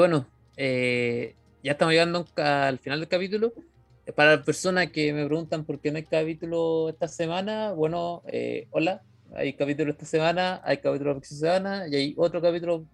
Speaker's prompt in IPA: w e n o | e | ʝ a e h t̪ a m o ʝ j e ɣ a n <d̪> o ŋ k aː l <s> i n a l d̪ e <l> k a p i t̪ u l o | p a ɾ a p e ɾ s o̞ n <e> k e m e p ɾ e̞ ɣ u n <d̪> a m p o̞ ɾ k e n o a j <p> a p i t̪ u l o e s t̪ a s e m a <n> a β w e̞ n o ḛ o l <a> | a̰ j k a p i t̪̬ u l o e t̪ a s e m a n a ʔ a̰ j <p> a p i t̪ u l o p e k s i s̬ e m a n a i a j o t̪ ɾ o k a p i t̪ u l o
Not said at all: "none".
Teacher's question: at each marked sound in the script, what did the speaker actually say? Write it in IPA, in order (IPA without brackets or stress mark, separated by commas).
d̪, f, l, a, t̪, k, n, a, k